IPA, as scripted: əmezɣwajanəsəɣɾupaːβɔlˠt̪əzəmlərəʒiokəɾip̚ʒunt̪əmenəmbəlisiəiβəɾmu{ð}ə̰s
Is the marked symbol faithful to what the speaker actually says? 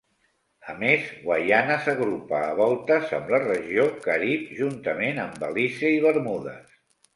yes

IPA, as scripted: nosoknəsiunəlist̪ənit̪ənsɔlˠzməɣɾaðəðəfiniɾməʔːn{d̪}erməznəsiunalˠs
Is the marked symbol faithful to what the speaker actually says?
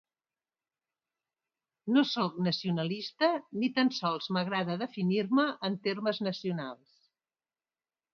no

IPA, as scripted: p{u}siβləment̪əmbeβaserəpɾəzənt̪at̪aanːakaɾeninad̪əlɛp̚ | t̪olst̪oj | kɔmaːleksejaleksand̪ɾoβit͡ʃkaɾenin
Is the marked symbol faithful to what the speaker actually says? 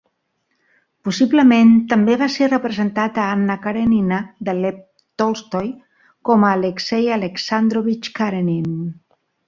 yes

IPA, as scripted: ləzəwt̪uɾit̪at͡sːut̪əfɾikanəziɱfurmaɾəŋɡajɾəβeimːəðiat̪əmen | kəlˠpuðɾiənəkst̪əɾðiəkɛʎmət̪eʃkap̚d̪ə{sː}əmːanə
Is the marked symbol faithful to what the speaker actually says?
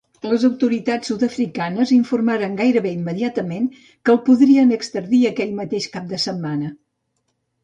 no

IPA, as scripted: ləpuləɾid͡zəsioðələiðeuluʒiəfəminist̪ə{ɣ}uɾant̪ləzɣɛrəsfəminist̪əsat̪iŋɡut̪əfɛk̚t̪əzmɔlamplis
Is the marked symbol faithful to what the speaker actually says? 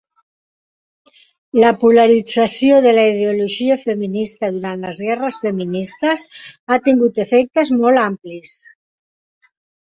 no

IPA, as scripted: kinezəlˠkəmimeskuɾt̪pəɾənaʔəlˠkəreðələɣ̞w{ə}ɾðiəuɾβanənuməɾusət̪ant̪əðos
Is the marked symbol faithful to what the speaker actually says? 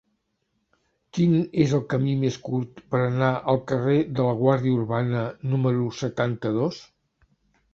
no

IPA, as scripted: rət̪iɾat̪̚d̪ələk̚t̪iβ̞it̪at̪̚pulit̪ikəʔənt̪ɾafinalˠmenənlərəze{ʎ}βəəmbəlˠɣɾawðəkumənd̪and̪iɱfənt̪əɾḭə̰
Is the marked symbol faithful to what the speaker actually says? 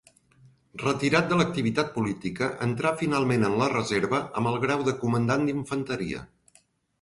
no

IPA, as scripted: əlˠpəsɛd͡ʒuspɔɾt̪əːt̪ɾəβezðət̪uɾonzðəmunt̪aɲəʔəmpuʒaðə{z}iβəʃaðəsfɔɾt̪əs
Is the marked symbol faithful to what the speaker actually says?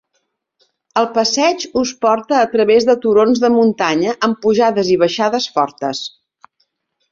yes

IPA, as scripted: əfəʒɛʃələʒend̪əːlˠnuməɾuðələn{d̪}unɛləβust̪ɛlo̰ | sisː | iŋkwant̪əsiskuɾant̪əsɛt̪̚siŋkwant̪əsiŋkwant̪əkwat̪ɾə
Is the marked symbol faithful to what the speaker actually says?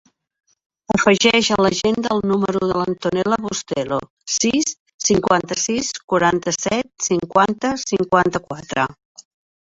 no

